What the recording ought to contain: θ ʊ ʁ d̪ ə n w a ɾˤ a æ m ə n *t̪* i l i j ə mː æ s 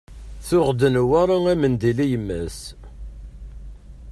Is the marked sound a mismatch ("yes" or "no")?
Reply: yes